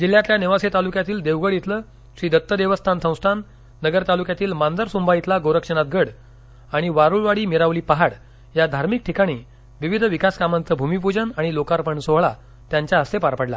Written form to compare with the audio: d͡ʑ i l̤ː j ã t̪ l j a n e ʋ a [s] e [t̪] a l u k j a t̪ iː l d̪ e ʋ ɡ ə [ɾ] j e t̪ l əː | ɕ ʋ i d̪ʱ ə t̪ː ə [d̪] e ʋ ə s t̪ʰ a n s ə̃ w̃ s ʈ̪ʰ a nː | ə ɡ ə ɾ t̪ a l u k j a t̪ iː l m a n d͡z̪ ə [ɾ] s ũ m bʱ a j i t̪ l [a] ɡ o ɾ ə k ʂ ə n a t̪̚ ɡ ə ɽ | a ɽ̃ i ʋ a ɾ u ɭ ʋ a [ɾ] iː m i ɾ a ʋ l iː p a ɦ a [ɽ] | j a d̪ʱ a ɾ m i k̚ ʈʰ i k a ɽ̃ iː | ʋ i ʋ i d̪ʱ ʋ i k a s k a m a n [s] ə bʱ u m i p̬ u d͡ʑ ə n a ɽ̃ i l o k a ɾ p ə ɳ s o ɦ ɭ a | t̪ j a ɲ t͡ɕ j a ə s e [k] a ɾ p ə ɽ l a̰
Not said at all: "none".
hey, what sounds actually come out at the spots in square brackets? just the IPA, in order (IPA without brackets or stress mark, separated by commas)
s, t̪, ɽ, d̪, ɾ, a, ɽ, ɽ, t͡s, p